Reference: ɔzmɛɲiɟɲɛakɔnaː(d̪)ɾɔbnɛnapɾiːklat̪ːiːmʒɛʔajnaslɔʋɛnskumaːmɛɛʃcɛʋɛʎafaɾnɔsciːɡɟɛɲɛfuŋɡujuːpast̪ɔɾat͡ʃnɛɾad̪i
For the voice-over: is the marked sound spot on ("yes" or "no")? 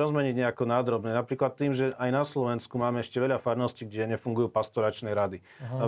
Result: yes